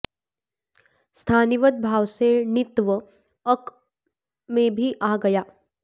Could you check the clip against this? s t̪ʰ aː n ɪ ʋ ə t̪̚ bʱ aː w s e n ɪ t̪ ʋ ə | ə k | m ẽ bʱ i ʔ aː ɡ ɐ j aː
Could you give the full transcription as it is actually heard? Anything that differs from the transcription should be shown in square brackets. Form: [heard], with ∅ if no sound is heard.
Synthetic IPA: s t̪ʰ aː n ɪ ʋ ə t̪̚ bʱ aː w s e n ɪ t̪ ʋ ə | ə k | m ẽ bʱ i ʔ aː ɡ ɐ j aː